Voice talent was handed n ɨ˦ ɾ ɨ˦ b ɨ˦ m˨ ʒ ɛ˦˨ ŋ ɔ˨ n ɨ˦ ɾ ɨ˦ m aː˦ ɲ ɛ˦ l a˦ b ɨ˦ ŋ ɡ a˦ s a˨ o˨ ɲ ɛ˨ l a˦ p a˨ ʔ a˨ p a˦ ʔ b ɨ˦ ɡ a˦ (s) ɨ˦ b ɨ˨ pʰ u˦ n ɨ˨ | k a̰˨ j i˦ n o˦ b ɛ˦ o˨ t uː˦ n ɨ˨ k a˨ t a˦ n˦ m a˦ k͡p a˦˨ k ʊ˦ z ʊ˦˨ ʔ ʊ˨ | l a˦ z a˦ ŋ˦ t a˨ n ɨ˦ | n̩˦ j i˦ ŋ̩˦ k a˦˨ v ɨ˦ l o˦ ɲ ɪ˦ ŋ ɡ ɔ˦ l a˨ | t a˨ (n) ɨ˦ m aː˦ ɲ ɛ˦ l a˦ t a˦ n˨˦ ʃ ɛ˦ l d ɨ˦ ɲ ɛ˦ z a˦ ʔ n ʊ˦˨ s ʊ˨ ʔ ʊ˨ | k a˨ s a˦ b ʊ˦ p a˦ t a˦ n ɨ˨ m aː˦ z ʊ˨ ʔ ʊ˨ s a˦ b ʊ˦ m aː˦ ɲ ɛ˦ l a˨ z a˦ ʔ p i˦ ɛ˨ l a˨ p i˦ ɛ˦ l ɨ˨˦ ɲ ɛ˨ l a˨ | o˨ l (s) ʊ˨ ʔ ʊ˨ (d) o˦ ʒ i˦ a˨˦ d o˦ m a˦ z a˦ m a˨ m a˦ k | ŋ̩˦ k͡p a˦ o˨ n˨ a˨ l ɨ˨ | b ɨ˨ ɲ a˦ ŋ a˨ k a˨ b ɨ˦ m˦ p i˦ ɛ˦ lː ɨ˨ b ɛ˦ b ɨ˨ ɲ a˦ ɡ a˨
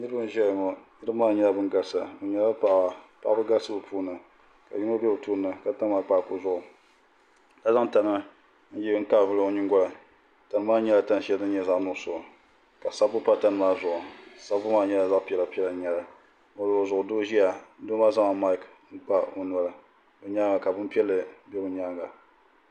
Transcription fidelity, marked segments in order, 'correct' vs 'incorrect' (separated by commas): correct, correct, incorrect, correct